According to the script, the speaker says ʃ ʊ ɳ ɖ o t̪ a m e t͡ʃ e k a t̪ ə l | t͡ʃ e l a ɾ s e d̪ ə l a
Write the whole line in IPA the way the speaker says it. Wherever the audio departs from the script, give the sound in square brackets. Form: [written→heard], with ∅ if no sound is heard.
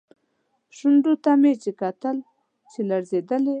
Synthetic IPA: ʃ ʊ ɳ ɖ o t̪ a m e t͡ʃ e k a t̪ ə l | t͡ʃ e l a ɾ [s→z] e d̪ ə l [a→e]